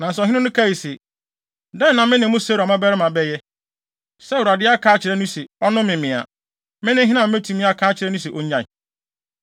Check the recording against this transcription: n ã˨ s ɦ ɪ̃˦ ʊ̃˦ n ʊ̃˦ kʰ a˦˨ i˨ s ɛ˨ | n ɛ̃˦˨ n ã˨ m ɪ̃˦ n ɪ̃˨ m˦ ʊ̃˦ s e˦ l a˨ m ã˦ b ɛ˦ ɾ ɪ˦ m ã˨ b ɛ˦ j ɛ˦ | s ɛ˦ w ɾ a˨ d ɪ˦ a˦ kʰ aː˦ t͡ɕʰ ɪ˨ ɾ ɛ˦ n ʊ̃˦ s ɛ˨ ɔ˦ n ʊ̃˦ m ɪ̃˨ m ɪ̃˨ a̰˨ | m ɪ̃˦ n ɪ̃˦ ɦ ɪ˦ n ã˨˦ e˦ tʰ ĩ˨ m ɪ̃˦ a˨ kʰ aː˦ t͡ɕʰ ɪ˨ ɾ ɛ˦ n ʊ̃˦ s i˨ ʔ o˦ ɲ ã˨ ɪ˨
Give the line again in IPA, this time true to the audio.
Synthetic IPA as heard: n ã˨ s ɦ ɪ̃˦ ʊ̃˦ n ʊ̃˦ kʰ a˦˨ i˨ s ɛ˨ | d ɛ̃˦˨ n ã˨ m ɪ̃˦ n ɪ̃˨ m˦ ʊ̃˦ s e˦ ɾ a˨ m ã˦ b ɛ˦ ɾ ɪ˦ m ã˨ b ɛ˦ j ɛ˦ | s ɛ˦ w ɾ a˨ d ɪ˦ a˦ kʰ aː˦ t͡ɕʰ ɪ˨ ɾ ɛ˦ n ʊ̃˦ s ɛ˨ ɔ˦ n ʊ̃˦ m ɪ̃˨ m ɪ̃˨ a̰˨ | m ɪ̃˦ n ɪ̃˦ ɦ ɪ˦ n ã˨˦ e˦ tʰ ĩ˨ m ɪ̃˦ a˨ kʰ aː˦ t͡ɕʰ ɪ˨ ɾ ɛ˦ n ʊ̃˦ s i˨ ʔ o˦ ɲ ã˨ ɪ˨